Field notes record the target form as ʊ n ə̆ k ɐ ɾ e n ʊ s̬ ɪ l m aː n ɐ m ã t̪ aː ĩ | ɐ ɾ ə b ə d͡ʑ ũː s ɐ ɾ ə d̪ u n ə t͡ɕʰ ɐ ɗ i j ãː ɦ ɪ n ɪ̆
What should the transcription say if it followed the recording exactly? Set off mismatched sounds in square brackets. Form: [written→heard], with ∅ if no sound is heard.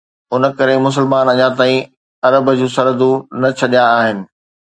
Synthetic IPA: ʊ n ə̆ k ɐ ɾ e [n→m] ʊ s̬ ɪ l m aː n ɐ [m→ɲ] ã t̪ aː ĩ | ɐ ɾ ə b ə d͡ʑ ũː s ɐ ɾ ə d̪ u n [ə→ɐ] t͡ɕʰ ɐ ɗ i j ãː ɦ ɪ n ɪ̆